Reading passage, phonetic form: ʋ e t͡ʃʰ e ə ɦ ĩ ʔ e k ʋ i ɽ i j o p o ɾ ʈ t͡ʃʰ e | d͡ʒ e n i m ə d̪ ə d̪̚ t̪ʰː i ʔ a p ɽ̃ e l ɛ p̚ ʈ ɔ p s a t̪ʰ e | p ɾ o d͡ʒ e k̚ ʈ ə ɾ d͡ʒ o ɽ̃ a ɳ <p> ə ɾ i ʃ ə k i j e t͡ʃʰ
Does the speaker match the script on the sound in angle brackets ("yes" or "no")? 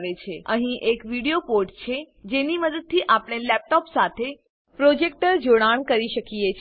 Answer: no